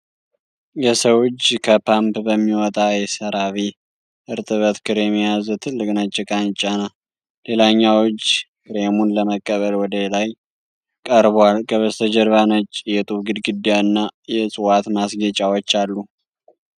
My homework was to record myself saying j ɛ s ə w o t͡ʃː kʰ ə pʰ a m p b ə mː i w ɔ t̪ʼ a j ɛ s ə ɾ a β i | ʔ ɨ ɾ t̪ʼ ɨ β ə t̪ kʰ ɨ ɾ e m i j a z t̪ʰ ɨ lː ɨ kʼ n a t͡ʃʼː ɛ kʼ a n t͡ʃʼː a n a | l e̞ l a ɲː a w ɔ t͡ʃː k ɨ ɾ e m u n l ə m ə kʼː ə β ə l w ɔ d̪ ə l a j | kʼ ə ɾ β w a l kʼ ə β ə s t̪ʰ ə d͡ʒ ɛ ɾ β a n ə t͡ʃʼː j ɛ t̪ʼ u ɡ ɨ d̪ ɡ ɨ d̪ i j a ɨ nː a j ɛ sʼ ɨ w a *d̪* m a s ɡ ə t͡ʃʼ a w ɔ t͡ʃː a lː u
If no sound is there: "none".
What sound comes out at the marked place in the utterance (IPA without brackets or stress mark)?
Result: t̪